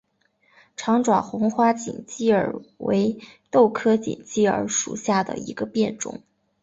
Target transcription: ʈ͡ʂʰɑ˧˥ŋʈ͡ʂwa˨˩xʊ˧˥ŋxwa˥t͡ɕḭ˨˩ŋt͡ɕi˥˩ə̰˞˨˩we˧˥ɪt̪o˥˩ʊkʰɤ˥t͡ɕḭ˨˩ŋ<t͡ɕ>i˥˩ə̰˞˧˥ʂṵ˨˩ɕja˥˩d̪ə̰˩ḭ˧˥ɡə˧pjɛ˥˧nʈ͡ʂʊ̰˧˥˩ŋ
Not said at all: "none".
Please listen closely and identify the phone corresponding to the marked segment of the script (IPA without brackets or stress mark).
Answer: t͡ɕ